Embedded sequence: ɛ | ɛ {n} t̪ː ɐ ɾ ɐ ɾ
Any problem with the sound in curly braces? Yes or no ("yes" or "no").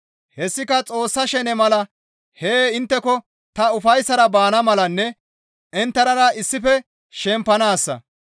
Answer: no